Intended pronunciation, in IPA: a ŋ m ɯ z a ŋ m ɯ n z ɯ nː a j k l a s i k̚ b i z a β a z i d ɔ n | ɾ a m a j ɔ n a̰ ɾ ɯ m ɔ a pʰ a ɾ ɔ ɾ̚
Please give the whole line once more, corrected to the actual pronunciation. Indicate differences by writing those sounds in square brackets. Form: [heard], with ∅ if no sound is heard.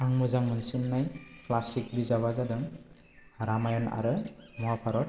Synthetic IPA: a ŋ m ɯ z a ŋ m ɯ n [s] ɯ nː a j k l a s i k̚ b i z a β a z [a] d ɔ [ŋ] | ɾ a m a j ɔ n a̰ ɾ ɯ m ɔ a pʰ a ɾ ɔ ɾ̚